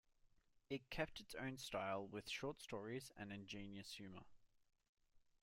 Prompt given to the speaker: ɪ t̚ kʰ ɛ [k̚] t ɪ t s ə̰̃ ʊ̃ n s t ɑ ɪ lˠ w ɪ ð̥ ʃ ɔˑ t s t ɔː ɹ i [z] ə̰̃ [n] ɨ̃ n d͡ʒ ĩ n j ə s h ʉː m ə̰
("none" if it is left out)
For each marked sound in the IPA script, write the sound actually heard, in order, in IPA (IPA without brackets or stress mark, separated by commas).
p̚, z, n